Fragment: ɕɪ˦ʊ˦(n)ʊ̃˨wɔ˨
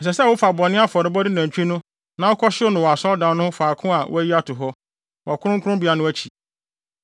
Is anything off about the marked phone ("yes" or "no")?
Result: no